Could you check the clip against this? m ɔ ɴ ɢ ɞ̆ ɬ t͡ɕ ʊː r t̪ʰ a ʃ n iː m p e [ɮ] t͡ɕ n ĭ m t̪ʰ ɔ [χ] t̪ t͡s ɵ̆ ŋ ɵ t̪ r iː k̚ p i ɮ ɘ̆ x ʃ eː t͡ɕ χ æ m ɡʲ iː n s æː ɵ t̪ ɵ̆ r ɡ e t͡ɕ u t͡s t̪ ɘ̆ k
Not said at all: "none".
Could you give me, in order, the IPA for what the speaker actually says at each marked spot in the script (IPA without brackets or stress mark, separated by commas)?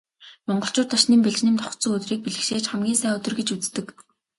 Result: ɮ, χ